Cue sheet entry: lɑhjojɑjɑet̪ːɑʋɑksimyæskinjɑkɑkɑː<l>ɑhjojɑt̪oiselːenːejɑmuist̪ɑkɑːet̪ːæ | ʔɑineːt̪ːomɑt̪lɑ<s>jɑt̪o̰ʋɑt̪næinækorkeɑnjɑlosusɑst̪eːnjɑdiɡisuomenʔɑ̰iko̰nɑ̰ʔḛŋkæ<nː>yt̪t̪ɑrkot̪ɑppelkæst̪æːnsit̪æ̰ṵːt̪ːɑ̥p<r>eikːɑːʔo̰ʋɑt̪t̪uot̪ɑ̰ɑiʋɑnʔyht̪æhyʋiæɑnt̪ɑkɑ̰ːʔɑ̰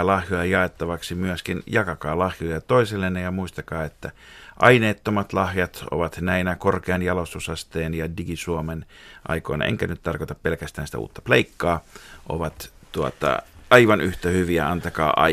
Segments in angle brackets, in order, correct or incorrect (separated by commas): correct, incorrect, incorrect, incorrect